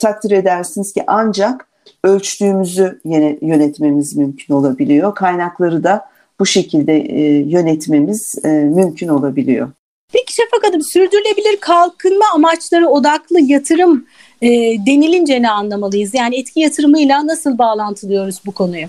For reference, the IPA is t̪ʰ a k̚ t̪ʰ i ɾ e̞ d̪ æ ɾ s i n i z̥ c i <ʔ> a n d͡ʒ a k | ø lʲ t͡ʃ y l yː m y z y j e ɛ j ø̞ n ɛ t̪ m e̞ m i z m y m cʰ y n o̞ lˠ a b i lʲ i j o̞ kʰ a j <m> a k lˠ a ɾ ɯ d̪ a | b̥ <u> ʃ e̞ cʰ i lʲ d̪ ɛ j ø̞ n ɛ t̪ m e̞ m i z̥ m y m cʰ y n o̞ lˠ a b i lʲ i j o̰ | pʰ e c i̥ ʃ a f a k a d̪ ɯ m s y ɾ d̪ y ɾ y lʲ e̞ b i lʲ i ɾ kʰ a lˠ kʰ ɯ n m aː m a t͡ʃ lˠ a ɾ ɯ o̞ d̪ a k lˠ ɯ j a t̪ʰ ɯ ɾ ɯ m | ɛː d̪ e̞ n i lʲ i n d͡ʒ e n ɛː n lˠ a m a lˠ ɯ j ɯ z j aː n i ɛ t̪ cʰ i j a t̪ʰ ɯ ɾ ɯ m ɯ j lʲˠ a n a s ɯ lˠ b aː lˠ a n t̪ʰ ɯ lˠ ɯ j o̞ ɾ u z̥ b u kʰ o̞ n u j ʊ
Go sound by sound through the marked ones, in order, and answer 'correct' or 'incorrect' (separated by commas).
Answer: correct, incorrect, correct